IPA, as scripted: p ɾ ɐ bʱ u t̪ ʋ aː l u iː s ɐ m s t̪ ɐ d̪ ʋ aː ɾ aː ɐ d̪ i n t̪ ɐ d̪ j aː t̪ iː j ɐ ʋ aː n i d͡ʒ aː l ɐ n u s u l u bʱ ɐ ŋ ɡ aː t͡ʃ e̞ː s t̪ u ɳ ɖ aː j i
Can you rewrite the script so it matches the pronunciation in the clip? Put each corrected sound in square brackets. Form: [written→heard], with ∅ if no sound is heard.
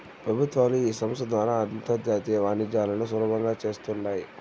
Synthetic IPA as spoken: p ɾ ɐ bʱ u t̪ ʋ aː l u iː s ɐ m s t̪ ɐ d̪ ʋ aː ɾ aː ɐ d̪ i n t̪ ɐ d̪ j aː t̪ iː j ɐ ʋ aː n i d͡ʒ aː l ɐ n u s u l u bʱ ɐ ŋ ɡ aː t͡ʃ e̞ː s t̪ u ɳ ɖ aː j i